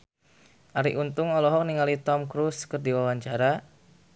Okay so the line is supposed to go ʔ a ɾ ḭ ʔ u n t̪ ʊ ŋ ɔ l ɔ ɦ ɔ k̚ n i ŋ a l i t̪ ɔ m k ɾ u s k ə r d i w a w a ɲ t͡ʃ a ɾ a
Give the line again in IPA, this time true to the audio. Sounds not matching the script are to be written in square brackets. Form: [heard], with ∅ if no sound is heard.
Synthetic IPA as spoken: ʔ a ɾ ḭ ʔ u n t̪ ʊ ŋ ɔ l ɔ ɦ ɔ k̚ n i ŋ a l i t̪ ɔ m k ɾ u s k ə r d i w a w a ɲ t͡ʃ a ɾ a